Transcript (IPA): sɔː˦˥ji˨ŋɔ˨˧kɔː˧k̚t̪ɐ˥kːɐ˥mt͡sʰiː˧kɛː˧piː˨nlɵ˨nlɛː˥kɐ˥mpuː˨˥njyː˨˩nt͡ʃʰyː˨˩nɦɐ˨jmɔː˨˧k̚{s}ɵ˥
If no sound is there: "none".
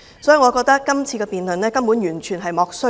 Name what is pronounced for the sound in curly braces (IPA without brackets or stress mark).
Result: s